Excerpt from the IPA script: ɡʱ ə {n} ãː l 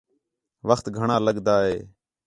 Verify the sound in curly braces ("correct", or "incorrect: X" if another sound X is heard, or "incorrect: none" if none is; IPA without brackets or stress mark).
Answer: incorrect: ɳ